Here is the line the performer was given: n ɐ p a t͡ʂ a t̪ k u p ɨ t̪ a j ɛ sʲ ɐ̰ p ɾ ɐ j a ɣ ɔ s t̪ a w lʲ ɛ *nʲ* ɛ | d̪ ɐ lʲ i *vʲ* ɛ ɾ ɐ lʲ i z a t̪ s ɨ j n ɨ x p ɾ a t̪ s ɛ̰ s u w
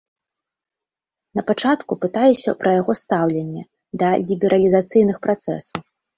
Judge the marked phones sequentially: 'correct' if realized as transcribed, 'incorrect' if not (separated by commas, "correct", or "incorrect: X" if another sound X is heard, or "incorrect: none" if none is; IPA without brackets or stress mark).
incorrect: nʲː, incorrect: bʲ